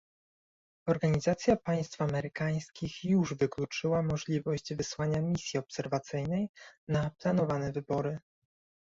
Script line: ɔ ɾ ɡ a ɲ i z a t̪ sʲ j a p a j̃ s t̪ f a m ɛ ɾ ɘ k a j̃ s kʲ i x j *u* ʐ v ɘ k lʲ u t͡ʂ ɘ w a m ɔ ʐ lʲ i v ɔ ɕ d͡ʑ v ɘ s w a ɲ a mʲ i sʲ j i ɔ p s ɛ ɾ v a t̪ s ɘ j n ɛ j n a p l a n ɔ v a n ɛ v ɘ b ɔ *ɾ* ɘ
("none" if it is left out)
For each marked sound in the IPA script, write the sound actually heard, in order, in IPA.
u, ɾ

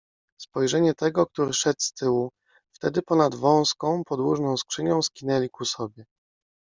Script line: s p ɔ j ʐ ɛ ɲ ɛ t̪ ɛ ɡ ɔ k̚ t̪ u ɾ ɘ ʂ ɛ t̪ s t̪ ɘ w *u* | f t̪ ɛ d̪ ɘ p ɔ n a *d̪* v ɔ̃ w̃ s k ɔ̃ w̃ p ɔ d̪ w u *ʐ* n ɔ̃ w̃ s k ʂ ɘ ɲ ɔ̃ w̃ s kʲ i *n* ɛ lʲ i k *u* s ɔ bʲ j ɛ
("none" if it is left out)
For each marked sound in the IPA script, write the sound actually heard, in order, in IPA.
u, d̪, ʐ, n, u

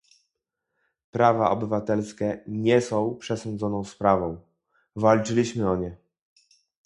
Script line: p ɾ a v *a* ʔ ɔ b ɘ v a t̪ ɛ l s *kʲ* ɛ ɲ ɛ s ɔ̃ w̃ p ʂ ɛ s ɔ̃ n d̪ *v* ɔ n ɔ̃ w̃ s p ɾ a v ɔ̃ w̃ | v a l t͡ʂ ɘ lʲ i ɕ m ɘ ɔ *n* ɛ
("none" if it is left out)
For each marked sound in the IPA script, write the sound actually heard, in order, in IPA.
a, kʲ, z, ɲ

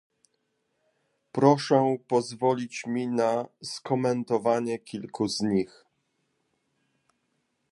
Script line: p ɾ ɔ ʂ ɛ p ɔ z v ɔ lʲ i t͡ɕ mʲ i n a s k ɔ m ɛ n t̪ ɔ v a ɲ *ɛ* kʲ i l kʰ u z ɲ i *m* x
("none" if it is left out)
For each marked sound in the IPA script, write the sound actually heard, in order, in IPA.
ɛ, none

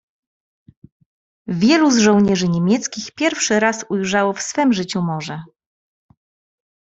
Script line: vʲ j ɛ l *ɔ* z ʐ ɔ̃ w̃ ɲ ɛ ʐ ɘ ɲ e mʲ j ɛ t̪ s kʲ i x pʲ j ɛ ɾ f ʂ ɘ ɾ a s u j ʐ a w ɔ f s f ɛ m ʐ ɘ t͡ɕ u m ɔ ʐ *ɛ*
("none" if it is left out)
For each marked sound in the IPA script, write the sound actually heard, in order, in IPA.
u, ɛ

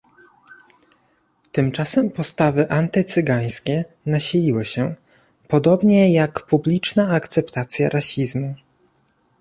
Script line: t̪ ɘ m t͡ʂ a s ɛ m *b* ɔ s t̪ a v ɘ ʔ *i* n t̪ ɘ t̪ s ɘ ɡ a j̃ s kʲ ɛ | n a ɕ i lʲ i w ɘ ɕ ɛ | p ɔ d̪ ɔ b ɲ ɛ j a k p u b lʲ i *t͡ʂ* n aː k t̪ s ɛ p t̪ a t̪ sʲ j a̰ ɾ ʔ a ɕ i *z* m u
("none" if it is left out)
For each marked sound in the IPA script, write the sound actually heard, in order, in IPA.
p, a, t͡ʂ, z

